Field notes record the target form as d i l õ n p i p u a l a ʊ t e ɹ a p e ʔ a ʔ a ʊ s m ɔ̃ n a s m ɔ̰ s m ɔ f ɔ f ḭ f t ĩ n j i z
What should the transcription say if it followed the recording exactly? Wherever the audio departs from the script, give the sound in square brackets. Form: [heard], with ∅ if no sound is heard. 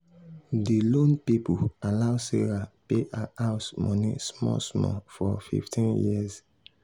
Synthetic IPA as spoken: d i l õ n p i p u a l a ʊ [s] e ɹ a p e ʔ a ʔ a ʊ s m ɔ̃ n [i] s m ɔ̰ s m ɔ f ɔ f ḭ f t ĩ n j i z